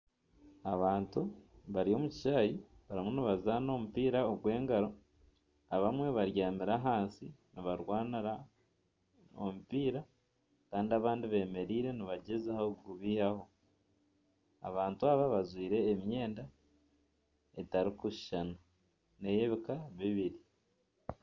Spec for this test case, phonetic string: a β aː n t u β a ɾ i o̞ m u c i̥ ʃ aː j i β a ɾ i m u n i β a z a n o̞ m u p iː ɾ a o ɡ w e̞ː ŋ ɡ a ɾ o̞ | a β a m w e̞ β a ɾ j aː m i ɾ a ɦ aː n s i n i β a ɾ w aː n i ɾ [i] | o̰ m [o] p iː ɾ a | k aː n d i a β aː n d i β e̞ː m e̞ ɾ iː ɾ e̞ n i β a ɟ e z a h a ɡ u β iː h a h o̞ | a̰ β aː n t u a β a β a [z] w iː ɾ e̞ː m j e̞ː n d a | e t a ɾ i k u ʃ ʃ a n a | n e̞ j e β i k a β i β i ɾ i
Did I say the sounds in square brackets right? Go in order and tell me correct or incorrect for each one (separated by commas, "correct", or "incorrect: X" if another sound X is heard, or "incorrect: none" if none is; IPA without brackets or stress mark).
incorrect: a, incorrect: u, correct